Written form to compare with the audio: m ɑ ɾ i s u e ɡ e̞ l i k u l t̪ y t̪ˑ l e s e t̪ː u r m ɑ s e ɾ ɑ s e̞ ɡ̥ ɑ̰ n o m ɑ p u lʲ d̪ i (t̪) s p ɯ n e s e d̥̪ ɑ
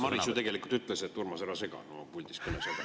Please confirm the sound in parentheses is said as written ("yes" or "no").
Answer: no